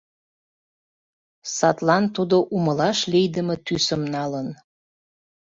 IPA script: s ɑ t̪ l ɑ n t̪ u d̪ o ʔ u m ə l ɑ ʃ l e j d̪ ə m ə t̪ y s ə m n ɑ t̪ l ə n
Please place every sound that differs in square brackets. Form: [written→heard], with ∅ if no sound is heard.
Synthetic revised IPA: s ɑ t̪ l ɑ n t̪ u d̪ o ʔ u m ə l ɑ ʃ l e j d̪ ə m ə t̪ y s ə m n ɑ [t̪→∅] l ə n